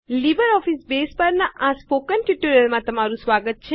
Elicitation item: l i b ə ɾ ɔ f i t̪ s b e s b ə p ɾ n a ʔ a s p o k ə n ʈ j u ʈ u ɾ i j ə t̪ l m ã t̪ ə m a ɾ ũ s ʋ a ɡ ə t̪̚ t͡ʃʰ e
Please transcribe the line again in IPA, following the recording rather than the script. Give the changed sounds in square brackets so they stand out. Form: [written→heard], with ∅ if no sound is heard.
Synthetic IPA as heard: l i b ə ɾ ɔ f i [t̪→∅] s b e s [b→p] ə [p→∅] ɾ n a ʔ a s p o k ə n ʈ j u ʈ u ɾ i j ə [t̪→∅] l m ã t̪ ə m a ɾ ũ s ʋ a ɡ ə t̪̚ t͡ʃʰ e